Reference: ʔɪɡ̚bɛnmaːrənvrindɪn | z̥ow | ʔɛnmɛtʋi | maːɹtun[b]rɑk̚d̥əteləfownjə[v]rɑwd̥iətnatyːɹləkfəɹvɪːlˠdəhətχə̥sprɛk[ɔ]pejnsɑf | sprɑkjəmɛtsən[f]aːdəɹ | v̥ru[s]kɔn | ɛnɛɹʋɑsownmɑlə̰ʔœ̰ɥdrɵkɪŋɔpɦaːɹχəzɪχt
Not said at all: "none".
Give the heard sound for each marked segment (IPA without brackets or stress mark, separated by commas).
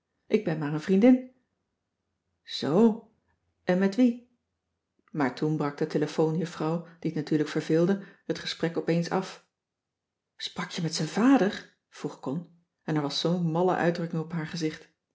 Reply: b, f, ɔ, v, χ